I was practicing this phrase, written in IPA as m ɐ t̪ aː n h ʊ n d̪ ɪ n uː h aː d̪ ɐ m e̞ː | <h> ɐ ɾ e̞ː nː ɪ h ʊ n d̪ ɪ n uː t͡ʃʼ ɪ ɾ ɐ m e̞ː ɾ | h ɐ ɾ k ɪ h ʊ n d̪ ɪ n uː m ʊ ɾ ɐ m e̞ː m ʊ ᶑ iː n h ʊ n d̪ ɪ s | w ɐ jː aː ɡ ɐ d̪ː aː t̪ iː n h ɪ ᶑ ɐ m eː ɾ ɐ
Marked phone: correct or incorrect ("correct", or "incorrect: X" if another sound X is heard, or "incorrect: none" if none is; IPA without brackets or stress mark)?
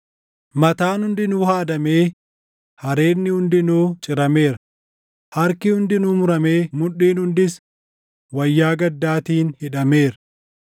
correct